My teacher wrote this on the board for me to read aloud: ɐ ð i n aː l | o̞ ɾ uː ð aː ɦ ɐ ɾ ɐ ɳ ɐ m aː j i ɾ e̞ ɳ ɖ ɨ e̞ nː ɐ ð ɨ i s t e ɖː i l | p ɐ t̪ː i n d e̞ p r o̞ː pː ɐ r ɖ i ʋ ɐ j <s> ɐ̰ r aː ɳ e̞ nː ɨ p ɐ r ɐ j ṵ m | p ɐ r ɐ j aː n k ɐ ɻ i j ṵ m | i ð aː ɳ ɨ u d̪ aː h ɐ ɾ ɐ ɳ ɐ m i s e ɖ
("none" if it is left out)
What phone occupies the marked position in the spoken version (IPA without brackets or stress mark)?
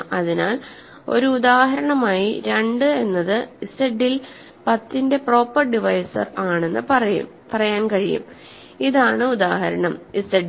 s